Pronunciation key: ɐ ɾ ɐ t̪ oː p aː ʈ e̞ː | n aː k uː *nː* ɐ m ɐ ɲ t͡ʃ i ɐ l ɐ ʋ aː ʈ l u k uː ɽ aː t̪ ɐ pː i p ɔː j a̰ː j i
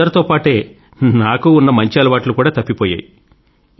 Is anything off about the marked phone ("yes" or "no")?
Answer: no